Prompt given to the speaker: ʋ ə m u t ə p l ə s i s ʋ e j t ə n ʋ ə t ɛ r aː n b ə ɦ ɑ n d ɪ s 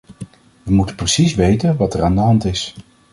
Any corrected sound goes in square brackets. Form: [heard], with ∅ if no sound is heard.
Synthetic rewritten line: ʋ ə m u t ə p [r] ə s i s ʋ e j t ə n ʋ [ɑ] t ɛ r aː n [d] ə ɦ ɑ n [t] ɪ s